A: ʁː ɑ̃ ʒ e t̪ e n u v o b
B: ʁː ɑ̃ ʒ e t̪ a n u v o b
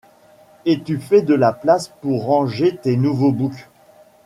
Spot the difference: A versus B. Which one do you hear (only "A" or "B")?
A